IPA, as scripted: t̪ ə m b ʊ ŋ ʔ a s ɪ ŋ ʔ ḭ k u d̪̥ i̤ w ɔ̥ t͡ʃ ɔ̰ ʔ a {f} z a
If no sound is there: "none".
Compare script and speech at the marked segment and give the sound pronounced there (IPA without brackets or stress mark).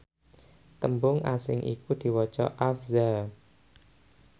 f